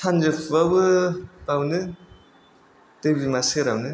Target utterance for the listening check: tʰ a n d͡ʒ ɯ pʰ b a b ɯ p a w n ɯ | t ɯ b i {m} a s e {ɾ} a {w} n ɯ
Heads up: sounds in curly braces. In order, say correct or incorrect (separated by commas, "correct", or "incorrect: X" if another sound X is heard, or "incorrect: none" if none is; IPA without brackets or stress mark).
correct, correct, correct